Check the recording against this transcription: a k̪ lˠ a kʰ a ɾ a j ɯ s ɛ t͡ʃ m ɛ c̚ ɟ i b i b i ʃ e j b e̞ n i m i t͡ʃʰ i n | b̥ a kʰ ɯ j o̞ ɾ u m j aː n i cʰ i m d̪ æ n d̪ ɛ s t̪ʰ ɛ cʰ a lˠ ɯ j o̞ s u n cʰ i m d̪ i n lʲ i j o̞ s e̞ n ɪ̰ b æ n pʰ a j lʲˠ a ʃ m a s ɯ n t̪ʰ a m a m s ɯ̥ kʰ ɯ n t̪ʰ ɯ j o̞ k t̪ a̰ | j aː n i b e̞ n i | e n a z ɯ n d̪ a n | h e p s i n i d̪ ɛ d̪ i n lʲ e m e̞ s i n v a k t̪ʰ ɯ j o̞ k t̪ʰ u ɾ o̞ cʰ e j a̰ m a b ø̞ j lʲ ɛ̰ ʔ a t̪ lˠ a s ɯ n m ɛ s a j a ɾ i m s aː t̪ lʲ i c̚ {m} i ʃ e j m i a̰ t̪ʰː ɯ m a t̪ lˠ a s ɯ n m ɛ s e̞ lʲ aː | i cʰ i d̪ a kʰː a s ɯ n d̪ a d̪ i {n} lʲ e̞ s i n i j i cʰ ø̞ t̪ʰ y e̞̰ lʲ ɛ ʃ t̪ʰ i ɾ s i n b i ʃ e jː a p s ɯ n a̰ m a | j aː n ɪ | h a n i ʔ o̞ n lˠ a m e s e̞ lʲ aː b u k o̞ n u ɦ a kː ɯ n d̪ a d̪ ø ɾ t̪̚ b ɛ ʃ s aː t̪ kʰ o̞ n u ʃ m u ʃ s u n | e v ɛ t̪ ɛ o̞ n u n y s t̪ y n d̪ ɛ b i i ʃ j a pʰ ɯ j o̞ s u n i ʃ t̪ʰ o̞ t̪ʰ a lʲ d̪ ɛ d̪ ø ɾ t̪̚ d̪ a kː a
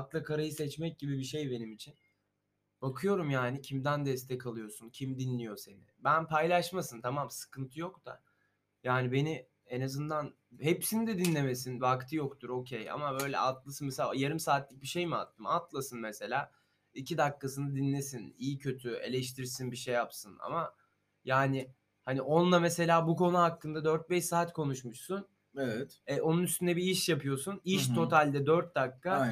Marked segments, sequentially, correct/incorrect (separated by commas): incorrect, correct